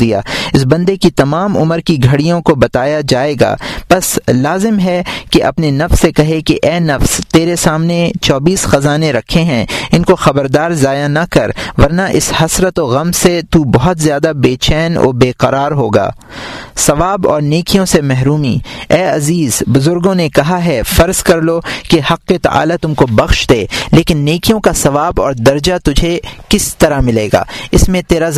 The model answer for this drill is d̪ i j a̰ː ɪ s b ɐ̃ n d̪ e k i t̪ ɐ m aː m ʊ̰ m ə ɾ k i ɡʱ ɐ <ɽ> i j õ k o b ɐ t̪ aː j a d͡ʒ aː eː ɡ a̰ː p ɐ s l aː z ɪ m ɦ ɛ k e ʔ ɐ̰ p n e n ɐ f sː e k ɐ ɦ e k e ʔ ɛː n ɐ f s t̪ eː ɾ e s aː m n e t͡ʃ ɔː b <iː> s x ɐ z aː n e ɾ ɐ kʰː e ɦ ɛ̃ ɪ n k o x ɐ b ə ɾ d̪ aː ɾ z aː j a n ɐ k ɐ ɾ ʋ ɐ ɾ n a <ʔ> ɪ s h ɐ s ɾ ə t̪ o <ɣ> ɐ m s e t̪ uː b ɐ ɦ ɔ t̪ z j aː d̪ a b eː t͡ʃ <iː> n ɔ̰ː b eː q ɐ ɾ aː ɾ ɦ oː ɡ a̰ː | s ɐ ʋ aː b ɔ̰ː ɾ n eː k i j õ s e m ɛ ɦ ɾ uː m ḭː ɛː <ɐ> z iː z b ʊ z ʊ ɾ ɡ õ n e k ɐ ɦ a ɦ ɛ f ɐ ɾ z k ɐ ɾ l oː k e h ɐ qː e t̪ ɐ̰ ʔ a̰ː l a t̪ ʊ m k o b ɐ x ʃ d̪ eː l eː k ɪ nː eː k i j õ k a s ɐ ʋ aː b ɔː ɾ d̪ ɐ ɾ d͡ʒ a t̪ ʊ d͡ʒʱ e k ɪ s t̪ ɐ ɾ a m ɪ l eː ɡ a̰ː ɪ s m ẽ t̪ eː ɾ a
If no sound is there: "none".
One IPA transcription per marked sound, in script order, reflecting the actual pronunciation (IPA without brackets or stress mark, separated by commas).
ɽ, iː, ʔ, ɣ, ɛː, ɐ